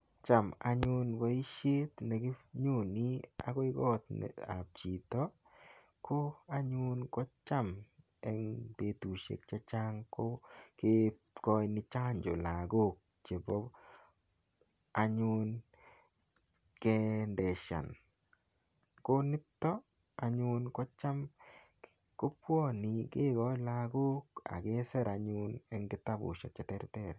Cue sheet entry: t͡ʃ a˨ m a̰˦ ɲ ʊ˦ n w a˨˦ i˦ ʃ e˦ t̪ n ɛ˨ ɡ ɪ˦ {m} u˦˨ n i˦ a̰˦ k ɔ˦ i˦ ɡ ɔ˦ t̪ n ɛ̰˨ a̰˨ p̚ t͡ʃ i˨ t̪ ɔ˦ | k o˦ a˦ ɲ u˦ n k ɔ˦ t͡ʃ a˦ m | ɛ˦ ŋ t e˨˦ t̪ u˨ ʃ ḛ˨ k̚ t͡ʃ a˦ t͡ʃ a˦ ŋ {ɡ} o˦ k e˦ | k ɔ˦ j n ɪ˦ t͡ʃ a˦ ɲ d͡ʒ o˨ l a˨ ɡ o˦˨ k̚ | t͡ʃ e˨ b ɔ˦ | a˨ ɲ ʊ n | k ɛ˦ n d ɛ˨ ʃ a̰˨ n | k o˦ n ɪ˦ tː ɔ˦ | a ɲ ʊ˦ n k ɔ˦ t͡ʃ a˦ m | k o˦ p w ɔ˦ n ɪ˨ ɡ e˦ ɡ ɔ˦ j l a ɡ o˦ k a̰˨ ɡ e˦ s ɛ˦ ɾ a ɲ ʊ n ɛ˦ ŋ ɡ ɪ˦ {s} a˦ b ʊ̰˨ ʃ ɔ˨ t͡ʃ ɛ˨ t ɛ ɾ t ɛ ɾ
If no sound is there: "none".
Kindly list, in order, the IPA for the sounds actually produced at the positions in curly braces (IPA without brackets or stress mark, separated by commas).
ɲ, k, t